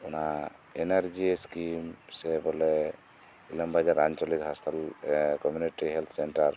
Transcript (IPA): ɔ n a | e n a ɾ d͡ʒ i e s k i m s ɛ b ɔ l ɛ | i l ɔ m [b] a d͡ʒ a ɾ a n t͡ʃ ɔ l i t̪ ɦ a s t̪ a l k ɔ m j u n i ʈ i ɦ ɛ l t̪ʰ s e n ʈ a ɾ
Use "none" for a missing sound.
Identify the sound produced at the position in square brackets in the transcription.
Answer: b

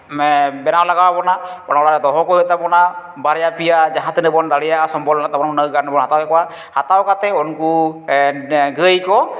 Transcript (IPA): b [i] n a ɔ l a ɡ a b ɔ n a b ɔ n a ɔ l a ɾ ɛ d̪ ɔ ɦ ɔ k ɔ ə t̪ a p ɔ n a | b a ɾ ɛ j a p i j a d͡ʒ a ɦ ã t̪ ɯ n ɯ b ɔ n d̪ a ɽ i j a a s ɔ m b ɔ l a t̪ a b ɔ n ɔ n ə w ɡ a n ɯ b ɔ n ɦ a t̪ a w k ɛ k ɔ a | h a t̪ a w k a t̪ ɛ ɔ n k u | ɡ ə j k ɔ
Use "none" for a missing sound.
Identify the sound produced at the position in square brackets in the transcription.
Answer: ɛ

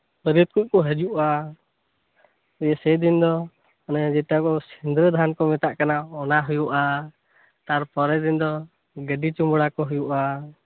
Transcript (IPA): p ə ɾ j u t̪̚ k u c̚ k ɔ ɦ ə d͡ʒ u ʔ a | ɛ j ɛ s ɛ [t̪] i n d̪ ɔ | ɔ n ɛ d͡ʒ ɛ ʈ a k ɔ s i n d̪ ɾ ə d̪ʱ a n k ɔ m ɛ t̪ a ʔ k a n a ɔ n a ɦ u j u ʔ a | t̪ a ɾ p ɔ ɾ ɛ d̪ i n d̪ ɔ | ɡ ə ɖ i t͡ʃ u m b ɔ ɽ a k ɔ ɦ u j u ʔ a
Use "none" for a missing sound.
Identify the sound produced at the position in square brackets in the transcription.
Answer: d̪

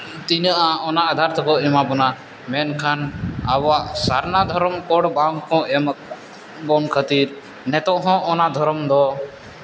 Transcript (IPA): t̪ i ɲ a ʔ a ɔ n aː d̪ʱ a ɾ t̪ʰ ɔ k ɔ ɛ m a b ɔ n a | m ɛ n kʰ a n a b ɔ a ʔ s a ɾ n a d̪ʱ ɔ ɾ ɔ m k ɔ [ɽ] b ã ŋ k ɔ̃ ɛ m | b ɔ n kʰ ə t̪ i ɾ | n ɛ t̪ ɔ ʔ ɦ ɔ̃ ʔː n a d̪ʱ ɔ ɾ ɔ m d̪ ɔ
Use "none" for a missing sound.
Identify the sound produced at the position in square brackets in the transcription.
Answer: ɽ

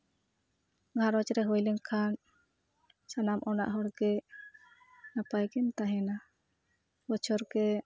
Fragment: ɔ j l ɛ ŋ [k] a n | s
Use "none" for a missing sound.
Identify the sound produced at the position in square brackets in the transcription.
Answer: kʰ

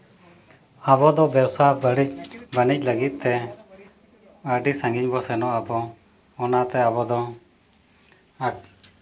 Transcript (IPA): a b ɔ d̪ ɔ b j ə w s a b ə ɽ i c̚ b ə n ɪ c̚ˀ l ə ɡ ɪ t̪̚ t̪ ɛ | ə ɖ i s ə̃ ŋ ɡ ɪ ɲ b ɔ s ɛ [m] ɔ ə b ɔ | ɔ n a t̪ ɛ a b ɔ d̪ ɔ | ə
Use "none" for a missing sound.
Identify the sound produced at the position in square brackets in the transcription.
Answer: n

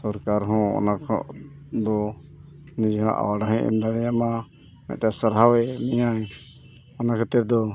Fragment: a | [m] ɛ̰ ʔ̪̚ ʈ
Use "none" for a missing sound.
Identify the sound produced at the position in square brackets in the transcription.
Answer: m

